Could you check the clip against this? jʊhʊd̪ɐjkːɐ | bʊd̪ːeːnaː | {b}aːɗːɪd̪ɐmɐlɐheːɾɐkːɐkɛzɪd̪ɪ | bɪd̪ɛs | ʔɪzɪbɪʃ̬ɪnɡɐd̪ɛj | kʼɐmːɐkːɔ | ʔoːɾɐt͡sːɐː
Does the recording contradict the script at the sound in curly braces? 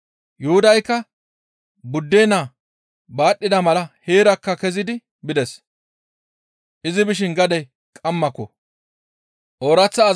no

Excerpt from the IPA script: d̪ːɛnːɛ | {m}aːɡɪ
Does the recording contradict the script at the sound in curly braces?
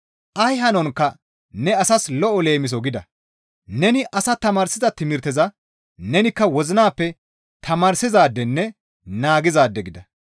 yes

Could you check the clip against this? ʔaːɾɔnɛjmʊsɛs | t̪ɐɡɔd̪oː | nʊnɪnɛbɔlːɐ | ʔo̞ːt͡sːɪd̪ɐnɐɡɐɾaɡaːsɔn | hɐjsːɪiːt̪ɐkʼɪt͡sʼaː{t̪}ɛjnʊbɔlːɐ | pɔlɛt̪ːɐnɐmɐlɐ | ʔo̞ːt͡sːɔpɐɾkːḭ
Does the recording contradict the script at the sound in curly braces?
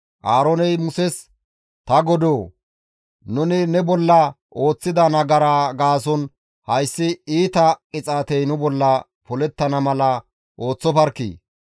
no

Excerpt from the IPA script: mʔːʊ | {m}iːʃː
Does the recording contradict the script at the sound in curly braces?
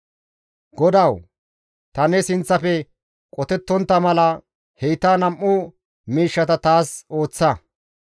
no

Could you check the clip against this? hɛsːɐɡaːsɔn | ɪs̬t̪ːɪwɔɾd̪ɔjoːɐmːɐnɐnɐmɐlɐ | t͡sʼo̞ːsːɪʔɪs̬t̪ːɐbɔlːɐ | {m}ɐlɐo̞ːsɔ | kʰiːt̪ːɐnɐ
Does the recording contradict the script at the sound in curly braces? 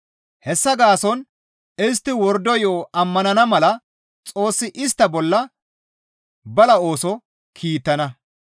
yes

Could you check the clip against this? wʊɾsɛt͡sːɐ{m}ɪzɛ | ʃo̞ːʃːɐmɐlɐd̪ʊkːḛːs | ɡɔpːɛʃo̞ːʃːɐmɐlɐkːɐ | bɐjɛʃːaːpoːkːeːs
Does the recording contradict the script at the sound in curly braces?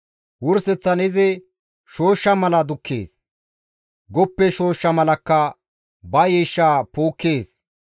yes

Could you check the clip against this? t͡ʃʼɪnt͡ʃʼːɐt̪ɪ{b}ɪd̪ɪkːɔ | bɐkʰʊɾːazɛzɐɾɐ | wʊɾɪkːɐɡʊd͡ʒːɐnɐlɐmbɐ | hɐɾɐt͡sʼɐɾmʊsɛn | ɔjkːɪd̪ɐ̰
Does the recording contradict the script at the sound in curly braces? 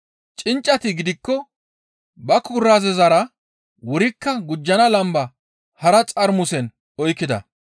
yes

